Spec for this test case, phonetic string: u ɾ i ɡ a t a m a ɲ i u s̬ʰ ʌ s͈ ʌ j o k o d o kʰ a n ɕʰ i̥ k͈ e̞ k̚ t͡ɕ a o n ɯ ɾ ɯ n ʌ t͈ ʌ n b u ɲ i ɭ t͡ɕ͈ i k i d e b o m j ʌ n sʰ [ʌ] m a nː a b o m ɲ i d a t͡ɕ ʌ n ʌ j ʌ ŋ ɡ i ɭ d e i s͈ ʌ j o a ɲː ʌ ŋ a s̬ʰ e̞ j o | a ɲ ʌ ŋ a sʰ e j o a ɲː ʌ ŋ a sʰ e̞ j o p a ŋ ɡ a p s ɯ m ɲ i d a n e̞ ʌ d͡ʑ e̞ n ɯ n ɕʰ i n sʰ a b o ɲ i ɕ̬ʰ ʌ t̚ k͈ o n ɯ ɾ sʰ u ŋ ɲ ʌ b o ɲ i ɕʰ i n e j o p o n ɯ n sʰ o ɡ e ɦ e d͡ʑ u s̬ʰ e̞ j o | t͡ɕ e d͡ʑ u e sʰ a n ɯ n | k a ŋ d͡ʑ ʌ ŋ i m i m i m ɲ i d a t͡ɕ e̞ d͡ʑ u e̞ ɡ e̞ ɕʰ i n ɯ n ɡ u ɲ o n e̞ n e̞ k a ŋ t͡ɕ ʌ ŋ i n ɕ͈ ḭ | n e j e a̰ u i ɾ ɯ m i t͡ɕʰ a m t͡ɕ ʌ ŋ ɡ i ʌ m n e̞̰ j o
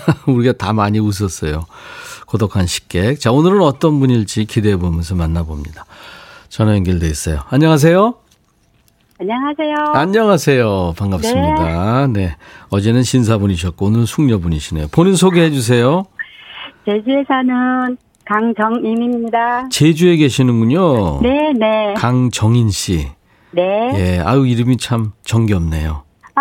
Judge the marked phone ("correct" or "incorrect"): correct